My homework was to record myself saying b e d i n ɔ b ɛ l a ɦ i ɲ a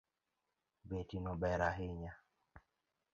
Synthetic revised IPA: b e t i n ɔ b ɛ ɾ a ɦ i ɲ a